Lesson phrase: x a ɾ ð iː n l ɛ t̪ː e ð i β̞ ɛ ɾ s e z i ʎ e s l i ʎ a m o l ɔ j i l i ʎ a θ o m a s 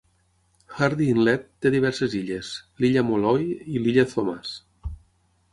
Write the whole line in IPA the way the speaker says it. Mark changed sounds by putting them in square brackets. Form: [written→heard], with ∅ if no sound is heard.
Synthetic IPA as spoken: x a ɾ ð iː n l ɛ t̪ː e ð i β̞ ɛ ɾ s e z i ʎ e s l i ʎ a m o l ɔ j i l i ʎ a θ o m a s